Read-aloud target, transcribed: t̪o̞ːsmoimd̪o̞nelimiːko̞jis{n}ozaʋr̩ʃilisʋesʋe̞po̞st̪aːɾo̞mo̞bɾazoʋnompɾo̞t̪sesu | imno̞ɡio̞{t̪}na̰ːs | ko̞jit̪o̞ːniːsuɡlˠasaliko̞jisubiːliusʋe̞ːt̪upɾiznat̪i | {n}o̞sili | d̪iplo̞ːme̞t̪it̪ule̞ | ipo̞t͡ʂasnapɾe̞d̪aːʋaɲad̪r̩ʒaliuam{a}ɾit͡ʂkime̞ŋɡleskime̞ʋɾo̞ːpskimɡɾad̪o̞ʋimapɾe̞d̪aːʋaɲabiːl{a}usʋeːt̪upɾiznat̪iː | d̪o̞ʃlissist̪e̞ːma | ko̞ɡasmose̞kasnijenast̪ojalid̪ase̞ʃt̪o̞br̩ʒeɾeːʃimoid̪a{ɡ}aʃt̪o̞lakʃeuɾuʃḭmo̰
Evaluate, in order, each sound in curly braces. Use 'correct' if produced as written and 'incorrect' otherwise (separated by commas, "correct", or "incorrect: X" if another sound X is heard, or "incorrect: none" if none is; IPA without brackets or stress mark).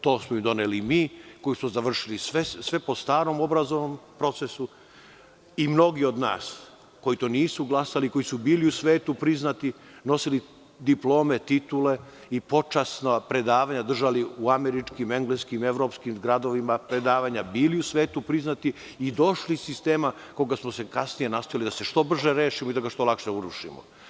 incorrect: m, incorrect: d̪, correct, incorrect: e, incorrect: i, correct